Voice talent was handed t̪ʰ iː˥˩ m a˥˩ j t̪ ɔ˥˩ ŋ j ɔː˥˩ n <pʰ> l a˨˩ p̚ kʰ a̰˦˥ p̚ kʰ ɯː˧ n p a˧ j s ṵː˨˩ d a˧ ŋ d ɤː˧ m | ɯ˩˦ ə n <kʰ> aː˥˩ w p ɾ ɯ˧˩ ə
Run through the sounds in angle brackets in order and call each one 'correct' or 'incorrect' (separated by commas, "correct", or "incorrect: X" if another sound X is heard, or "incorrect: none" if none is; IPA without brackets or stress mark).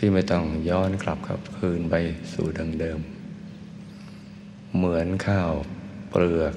incorrect: kʰ, correct